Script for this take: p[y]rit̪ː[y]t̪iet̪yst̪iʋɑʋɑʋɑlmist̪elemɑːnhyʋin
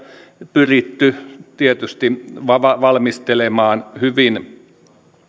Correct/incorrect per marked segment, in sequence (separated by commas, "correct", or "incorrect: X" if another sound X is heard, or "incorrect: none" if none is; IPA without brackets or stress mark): correct, correct